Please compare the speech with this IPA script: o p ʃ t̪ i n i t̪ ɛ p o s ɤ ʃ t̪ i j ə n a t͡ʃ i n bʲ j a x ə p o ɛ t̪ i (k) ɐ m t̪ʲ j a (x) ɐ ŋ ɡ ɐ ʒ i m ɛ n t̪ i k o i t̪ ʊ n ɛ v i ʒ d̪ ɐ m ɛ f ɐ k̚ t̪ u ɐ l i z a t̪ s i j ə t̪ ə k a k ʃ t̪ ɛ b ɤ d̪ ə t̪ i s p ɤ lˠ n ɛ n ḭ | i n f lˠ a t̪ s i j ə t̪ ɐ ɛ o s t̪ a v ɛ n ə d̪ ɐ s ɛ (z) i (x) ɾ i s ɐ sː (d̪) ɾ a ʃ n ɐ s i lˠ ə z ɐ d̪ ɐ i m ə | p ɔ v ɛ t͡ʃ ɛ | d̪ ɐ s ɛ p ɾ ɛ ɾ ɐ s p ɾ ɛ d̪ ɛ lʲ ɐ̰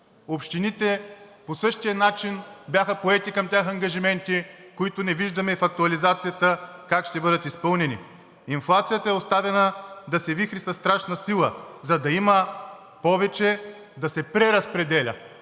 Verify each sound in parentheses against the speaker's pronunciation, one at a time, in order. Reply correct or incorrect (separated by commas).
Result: correct, correct, incorrect, correct, incorrect